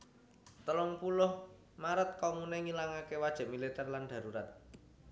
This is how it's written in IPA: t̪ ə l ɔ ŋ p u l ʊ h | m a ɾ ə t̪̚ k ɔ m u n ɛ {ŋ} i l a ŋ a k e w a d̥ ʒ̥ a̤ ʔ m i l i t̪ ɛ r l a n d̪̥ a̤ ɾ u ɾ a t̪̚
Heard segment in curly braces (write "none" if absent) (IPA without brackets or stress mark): ŋ